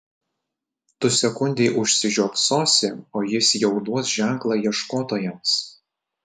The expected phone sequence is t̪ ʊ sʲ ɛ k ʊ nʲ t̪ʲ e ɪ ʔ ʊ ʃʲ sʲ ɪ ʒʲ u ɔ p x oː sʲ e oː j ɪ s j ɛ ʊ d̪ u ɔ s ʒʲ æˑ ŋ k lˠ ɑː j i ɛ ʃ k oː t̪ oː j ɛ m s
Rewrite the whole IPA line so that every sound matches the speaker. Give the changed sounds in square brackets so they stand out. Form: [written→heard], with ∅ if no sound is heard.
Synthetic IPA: t̪ ʊ sʲ ɛ k ʊ nʲ [t̪ʲ→d̪ʲ] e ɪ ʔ ʊ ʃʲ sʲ ɪ ʒʲ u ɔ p [x→s] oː sʲ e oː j ɪ s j ɛ ʊ d̪ u ɔ s ʒʲ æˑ ŋ k lˠ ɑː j i ɛ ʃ k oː t̪ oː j ɛ m s